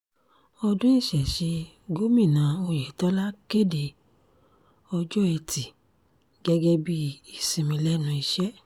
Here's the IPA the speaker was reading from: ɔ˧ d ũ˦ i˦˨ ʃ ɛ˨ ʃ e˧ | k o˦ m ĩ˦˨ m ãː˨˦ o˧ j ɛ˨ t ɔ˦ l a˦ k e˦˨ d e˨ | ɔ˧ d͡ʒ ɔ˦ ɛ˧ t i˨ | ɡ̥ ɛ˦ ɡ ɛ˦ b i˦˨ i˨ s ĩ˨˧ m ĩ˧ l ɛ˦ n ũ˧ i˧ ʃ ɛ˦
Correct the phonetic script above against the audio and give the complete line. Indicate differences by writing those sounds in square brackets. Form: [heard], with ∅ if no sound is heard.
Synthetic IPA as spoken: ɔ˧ d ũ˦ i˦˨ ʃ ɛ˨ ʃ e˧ | [ɡ] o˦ m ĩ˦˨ [n] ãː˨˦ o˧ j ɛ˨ t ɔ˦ l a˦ k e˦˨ d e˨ | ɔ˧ d͡ʒ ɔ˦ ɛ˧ t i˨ | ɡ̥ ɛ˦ ɡ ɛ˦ b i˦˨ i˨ s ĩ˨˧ m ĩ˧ l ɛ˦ n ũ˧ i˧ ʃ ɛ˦